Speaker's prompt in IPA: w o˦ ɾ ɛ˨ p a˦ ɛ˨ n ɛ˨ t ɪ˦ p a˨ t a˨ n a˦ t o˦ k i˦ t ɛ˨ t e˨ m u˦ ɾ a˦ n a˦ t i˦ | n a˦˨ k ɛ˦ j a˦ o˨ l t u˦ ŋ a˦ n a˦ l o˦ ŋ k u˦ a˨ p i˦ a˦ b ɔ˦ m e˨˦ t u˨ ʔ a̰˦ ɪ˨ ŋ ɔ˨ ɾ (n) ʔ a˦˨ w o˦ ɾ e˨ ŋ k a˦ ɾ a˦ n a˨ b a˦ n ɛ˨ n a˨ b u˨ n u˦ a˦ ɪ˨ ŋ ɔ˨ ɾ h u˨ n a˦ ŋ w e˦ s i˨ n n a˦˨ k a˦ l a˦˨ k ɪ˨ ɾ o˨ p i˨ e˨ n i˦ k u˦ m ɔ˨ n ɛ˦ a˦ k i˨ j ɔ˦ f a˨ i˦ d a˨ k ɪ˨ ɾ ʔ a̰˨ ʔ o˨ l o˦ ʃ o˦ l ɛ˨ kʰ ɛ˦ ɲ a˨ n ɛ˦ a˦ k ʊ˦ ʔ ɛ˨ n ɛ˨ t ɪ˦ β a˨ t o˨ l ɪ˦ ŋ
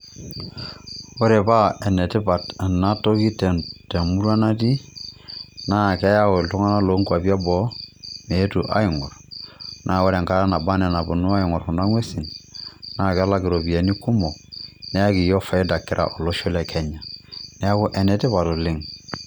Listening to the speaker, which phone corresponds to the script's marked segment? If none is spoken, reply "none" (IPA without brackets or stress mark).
n